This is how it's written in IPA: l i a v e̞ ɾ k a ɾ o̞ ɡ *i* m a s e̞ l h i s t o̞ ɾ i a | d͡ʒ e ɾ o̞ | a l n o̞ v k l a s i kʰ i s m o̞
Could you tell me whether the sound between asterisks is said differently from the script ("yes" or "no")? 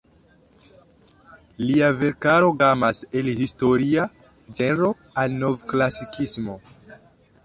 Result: yes